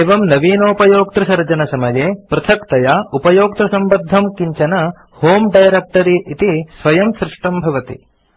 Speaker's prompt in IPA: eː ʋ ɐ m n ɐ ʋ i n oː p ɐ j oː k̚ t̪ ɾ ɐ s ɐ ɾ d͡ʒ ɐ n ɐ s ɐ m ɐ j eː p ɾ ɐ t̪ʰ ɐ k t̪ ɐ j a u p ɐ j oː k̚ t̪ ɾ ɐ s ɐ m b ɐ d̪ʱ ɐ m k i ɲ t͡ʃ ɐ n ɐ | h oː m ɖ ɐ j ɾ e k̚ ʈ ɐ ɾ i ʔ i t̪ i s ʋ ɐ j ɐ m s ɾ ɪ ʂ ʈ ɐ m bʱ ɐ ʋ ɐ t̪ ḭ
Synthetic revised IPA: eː ʋ ɐ m n ɐ ʋ iː n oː p ɐ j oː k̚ t̪ ɾ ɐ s ɐ ɾ d͡ʒ ɐ n ɐ s ɐ m ɐ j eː p ɾ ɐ t̪ʰ ɐ k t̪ ɐ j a u p ɐ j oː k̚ t̪ ɾ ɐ s ɐ m b ɐ d̪ʱ ɐ m k i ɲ t͡ʃ ɐ n ɐ | h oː m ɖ ɐ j ɾ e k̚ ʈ ɐ ɾ i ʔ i t̪ i s ʋ ɐ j ɐ m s ɾ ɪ ʂ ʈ ɐ m bʱ ɐ ʋ ɐ t̪ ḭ